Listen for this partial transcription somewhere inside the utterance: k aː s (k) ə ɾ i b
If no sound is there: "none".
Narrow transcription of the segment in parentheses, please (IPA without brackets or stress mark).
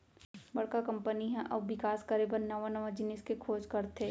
k